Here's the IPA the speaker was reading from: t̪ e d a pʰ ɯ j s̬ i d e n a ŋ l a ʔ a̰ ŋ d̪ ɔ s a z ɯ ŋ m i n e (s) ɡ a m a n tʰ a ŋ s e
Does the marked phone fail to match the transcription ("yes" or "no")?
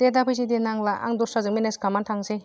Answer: no